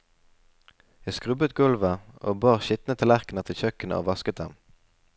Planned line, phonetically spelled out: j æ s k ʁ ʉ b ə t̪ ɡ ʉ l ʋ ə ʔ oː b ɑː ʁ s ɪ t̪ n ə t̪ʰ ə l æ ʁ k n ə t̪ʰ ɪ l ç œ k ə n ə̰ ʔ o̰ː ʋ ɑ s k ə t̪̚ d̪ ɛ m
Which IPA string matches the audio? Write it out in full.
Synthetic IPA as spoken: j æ s k ʁ ʉ b ə t̪ ɡ ʉ l ʋ ə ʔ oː b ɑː ʁ ʃ ɪ t̪ n ə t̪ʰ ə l æ ʁ k n ə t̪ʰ ɪ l ç œ k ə n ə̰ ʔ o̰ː ʋ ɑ s k ə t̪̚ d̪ ɛ m